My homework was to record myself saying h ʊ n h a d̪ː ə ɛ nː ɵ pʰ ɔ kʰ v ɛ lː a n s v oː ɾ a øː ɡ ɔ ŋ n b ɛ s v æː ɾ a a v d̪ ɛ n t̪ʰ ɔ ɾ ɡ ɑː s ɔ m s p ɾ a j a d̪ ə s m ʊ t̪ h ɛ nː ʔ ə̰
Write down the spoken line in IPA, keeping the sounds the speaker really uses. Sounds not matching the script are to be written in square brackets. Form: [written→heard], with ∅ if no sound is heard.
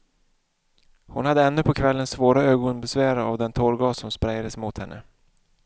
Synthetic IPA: h ʊ n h a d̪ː ə ɛ nː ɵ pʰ ɔ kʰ v ɛ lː [a→ə] n s v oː ɾ a øː ɡ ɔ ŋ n b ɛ s v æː ɾ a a v d̪ ɛ n t̪ʰ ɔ ɾ ɡ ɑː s ɔ m s p ɾ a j a d̪ ə s m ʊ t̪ h ɛ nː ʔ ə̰